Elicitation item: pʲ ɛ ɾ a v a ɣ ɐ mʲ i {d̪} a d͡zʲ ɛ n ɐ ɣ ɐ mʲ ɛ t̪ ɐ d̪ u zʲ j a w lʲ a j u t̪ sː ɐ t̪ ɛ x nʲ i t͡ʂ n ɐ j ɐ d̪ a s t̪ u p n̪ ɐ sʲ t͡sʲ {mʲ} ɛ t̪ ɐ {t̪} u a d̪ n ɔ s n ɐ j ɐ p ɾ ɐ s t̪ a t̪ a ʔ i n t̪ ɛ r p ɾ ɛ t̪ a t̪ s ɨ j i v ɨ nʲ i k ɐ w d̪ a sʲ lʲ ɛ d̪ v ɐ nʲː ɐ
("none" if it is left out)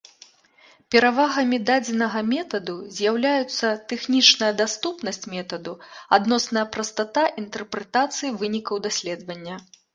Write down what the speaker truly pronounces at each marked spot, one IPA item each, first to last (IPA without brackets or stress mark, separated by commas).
d̪, mʲ, d̪